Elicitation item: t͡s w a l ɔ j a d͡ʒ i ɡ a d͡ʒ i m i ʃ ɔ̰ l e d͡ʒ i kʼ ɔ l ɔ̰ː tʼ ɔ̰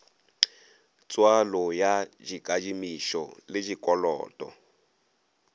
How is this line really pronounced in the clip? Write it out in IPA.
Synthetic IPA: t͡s w a l ɔ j a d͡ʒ i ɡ a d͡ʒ i m i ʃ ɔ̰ l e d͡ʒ i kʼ ɔ l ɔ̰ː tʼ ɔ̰